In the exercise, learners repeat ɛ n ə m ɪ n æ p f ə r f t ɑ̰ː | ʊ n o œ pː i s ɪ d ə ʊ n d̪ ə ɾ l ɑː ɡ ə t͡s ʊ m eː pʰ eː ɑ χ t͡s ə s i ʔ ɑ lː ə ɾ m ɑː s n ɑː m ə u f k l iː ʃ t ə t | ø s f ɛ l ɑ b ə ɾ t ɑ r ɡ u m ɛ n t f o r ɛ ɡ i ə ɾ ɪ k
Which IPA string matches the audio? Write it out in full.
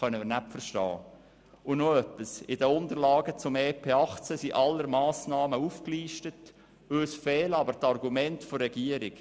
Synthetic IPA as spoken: œ n ə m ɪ n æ p f ə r ʃ t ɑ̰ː | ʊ n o œ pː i s ɪ d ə ʊ n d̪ ə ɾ l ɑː ɡ ə t͡s ʊ m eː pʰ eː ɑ χ t͡s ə s i ʔ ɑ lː ə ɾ m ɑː s n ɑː m ə u f k l iː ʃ t ə t | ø s f ɛː l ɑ b ə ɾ t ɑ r ɡ u m ɛ n t f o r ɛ ɡ i ə ɾ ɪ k